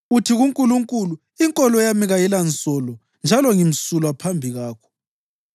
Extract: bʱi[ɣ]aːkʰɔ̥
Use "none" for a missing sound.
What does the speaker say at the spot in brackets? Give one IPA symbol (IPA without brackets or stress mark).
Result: ɣ